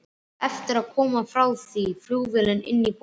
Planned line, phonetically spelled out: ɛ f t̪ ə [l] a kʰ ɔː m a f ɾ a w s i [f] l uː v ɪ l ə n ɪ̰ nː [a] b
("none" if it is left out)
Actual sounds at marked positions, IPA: ɾ, f, i

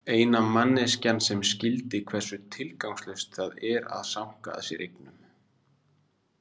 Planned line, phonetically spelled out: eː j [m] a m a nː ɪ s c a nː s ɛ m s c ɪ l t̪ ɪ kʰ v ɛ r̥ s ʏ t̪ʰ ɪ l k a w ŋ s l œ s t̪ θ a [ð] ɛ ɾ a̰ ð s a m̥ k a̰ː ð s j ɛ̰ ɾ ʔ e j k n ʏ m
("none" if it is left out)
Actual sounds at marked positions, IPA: n, ð

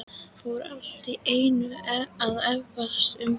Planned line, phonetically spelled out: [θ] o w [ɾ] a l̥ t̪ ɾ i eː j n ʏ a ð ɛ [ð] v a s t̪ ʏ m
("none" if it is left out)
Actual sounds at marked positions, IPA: f, ɾ, v

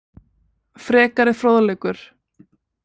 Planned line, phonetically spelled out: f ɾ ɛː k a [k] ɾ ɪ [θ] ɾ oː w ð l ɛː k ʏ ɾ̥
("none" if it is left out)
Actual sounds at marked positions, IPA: none, f

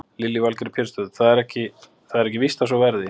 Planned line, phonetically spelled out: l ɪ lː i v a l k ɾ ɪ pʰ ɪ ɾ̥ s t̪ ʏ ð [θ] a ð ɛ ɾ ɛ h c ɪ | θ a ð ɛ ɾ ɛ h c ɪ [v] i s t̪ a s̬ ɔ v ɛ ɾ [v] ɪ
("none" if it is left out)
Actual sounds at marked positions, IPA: θ, v, ð

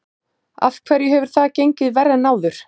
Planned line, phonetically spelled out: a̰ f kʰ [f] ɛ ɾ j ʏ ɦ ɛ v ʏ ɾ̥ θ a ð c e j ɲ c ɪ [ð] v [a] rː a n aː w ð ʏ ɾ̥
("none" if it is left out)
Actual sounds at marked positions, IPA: v, ð, ɛ

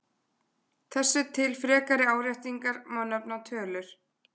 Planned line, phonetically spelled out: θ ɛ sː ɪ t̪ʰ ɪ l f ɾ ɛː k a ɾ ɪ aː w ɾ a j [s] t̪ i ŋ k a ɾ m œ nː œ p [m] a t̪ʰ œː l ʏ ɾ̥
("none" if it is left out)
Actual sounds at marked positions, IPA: h, n

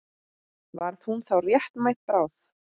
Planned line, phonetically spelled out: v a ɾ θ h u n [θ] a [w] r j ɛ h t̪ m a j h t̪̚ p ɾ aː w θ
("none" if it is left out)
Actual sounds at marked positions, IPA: θ, w

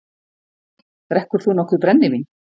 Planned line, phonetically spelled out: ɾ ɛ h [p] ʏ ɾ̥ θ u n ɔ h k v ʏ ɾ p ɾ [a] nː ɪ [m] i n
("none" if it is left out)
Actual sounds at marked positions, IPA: k, ɛ, m

